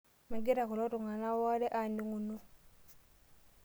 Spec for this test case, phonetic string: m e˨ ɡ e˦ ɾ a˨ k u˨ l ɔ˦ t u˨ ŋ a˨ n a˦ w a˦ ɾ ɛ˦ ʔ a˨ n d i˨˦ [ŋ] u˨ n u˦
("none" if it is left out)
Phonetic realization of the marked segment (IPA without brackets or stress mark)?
ŋ